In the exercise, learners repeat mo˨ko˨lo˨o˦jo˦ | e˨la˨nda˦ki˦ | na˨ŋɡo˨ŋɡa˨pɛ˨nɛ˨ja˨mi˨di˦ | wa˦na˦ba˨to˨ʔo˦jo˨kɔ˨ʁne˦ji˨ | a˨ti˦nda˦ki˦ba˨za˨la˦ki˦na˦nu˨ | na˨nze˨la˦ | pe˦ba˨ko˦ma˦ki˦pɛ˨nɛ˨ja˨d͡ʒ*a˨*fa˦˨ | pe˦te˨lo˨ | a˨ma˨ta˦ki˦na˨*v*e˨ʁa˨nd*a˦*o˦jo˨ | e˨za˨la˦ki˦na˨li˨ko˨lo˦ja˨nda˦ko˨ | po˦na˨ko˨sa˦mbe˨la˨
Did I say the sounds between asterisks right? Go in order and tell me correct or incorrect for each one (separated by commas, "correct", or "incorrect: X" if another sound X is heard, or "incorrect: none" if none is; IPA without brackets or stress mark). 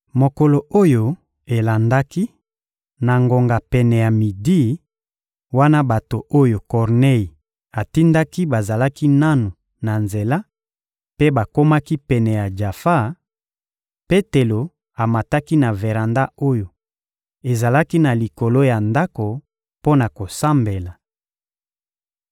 correct, correct, correct